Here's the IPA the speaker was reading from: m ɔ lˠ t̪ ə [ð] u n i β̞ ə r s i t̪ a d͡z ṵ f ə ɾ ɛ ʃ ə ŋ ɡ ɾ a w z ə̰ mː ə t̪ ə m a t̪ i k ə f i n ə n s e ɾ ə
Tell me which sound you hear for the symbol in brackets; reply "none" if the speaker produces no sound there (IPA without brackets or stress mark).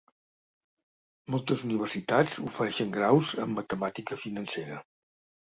z